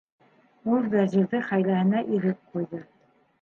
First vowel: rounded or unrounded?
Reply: rounded